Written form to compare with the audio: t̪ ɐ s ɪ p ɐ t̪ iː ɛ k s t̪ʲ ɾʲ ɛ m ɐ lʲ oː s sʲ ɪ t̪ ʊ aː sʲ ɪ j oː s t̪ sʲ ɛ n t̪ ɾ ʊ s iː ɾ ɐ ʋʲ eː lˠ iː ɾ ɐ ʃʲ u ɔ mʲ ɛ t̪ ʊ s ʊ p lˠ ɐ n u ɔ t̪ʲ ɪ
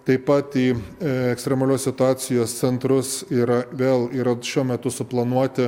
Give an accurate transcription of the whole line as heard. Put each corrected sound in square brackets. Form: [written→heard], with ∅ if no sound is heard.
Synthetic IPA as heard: t̪ ɐ [s→∅] ɪ p ɐ t̪ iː ɛ k s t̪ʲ ɾʲ ɛ m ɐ lʲ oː s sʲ ɪ t̪ ʊ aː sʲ ɪ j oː s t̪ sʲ ɛ n t̪ ɾ ʊ s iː ɾ ɐ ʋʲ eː lˠ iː ɾ ɐ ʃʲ u ɔ mʲ ɛ t̪ ʊ s ʊ p lˠ ɐ n u ɔ t̪ʲ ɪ